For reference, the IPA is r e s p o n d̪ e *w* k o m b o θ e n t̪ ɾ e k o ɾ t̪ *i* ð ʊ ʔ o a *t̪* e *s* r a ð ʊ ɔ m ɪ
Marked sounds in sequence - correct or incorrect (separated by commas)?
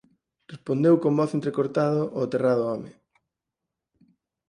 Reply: correct, incorrect, correct, incorrect